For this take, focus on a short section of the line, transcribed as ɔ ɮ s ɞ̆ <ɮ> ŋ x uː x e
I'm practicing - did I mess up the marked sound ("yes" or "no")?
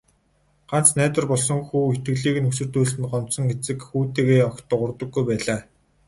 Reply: yes